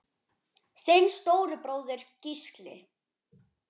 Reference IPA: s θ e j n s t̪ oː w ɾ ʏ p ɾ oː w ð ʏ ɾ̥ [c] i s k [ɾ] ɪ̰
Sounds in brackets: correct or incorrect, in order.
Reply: correct, incorrect

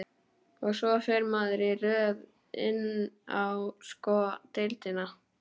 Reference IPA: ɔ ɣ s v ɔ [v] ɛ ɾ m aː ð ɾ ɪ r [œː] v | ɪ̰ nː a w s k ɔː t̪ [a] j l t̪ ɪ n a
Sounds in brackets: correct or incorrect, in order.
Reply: incorrect, correct, incorrect

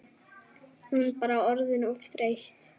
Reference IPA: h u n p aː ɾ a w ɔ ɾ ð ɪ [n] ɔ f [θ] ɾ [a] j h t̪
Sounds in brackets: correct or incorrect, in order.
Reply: correct, correct, incorrect

